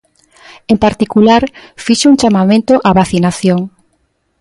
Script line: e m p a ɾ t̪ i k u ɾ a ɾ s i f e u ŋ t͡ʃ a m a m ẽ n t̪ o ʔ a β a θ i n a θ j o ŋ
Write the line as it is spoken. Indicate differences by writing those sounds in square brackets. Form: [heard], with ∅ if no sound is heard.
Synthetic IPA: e m p a ɾ t̪ i k u [l] a ɾ [f] i [ʃ] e u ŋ t͡ʃ a m a m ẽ n t̪ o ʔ a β a θ i n a θ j o ŋ